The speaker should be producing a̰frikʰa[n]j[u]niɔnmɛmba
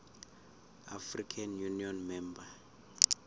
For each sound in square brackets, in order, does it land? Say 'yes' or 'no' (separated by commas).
yes, yes